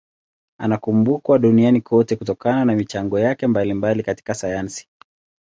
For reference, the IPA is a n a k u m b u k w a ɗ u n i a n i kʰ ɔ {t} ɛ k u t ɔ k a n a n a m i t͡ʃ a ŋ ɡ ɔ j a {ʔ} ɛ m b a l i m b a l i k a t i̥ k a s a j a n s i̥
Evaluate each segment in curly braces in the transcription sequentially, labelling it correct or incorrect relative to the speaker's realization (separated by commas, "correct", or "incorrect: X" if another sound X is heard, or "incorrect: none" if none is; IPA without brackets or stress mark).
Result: correct, incorrect: k